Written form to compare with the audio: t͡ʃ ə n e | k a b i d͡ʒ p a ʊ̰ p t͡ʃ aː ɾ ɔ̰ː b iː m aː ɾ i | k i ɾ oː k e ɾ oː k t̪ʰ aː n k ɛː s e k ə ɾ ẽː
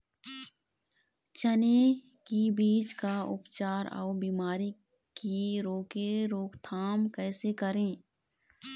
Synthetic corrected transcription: t͡ʃ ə n e | k i b iː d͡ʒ k a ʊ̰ p t͡ʃ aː ɾ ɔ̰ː b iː m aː ɾ i | k i ɾ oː k e ɾ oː k t̪ʰ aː m k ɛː s e k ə ɾ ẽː